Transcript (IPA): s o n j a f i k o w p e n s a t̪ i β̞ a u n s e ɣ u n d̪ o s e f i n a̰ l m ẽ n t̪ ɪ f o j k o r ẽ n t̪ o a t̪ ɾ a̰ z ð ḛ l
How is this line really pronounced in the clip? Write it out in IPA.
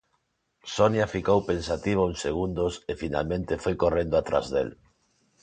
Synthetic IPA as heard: s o n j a f i k o w p e n s a t̪ i β̞ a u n s e ɣ u n d̪ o s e f i n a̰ l m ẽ n t̪ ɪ f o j k o r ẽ n d̪ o a t̪ ɾ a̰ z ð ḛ l